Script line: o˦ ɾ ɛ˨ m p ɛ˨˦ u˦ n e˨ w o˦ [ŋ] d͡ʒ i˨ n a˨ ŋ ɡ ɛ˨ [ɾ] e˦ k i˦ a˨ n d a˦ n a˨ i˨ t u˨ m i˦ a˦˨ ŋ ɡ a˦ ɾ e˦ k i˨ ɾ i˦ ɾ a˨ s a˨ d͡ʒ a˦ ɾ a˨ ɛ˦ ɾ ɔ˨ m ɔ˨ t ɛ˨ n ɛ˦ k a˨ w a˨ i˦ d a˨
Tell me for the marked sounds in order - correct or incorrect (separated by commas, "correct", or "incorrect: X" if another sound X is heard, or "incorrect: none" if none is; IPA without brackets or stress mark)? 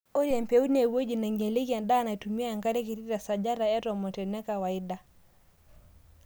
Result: incorrect: none, incorrect: l